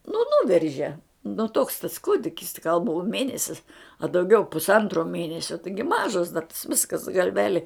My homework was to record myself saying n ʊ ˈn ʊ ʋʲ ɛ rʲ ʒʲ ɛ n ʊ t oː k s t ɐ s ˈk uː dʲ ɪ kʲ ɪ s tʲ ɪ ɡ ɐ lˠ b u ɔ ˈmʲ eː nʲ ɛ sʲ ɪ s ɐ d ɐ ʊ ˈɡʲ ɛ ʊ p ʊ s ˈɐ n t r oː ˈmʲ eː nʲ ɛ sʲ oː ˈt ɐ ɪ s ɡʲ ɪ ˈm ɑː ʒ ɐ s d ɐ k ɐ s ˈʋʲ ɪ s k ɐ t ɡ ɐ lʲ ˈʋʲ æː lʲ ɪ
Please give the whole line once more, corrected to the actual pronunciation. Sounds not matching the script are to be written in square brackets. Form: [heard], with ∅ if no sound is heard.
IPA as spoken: n ʊ ˈn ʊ ʋʲ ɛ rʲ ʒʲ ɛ n ʊ t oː k s t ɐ s ˈk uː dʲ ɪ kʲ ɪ s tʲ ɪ ɡ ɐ lˠ b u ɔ ˈmʲ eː nʲ ɛ sʲ ɪ s ɐ d ɐ ʊ ˈɡʲ ɛ ʊ p ʊ s ˈɐ n t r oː ˈmʲ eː nʲ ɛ sʲ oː ˈt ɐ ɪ [∅] ɡʲ ɪ ˈm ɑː ʒ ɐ s d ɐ [t] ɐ s ˈʋʲ ɪ s k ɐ [s] ɡ ɐ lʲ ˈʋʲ æː lʲ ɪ